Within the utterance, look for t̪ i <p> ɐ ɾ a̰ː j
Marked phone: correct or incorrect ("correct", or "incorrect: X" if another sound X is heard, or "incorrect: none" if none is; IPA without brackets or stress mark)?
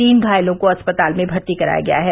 incorrect: k